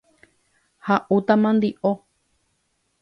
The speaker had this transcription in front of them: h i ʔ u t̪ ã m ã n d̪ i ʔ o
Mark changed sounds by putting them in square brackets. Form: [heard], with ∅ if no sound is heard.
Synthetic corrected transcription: h [a] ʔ u t̪ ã m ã n d̪ i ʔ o

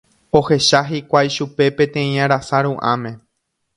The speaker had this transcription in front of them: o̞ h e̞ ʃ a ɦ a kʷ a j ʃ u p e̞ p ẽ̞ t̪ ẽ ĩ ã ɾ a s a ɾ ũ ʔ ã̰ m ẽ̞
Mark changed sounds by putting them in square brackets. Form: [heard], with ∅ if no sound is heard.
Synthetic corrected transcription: o̞ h e̞ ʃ a ɦ [i] kʷ a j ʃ u p e̞ p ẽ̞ t̪ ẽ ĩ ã ɾ a s a ɾ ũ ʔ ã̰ m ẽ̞

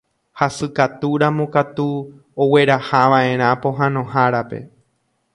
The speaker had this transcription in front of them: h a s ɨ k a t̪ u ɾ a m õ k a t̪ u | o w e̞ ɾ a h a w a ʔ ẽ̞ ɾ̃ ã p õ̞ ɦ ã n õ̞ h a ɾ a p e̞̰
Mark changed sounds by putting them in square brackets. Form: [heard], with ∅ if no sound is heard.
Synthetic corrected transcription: h a s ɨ k a t̪ u ɾ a m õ k a t̪ u | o w e̞ ɾ a h a [ʋ] a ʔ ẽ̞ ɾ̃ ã p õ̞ ɦ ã n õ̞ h a ɾ a p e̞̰

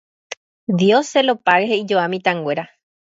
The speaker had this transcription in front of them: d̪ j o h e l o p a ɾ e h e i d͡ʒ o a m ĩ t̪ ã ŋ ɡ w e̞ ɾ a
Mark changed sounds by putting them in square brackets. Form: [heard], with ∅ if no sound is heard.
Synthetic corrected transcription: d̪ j o [s] e l o p a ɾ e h e i d͡ʒ o a m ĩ t̪ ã ŋ ɡ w e̞ ɾ a

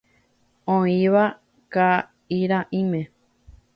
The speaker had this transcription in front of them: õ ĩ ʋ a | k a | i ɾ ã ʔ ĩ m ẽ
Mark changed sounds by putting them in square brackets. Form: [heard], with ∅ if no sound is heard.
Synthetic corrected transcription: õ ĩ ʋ a | k a | i ɾ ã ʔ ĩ m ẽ

